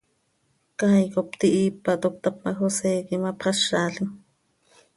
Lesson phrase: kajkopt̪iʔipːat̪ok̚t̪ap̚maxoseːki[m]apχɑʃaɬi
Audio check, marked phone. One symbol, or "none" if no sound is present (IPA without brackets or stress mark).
m